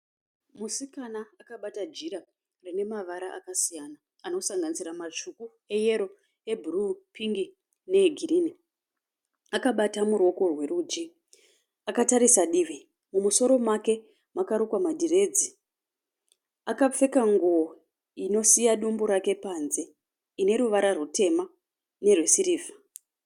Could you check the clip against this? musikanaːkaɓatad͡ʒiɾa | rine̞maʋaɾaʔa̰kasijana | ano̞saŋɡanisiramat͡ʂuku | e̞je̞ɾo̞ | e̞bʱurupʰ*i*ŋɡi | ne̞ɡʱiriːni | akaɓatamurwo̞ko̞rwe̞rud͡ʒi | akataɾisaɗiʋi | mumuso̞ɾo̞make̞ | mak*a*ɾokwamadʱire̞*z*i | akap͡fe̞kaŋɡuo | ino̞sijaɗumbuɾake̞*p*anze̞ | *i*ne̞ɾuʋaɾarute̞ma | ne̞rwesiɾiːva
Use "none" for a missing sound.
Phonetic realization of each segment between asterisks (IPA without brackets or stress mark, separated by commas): i, a, d͡z, p, i